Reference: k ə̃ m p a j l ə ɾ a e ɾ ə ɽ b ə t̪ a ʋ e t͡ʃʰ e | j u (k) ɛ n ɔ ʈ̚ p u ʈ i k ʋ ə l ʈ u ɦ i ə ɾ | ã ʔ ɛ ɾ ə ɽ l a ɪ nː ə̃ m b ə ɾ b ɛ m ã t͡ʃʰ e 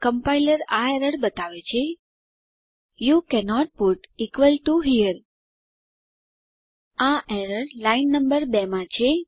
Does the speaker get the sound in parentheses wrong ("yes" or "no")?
no